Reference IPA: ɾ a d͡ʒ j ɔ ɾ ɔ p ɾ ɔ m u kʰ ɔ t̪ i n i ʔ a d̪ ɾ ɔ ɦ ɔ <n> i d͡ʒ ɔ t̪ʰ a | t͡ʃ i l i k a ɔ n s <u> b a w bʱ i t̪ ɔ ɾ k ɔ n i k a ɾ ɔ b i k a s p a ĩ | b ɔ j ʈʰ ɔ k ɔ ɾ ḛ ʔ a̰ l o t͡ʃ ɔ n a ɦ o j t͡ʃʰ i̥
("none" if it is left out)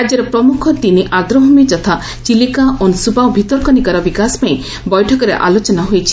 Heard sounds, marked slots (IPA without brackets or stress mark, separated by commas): m, u